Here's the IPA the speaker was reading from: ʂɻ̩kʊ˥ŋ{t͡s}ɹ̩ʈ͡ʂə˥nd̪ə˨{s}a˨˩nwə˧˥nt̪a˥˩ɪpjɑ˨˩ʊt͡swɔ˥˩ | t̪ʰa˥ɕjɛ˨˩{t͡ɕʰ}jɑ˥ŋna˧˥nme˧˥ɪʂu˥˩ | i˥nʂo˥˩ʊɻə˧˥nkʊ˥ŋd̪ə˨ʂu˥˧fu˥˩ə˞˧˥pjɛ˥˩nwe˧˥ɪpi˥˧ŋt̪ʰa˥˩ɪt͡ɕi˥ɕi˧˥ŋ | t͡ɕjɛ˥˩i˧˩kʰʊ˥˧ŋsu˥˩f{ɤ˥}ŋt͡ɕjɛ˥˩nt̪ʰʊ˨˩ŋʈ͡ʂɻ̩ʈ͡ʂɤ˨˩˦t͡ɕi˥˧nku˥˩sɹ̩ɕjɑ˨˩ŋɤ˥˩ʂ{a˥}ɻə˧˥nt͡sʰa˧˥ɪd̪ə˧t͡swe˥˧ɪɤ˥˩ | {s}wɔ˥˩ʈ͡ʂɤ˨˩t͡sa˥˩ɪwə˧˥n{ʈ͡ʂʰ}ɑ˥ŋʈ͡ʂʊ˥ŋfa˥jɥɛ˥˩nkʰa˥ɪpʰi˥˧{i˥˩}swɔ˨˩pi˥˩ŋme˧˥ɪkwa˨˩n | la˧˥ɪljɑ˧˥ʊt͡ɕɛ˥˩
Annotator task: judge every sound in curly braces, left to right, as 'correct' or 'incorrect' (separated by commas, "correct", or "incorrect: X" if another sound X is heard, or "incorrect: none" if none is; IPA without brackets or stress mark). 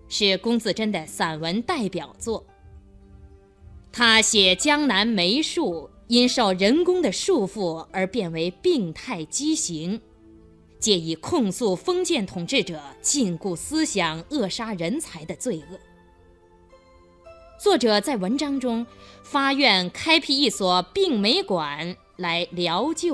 correct, correct, incorrect: t͡ɕ, correct, correct, incorrect: t͡s, incorrect: ʈ͡ʂ, correct